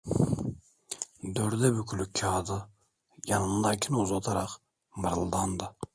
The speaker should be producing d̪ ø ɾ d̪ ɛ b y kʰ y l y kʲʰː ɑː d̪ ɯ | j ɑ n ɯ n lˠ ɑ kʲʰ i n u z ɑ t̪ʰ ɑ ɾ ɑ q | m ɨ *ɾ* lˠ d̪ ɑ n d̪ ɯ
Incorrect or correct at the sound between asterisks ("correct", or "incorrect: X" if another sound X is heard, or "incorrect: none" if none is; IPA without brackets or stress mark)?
correct